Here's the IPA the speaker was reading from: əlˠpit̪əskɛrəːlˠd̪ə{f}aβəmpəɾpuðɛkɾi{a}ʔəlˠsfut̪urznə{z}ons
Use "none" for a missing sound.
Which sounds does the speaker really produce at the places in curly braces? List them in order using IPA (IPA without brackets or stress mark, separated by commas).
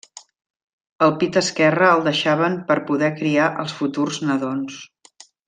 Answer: ʃ, a, ð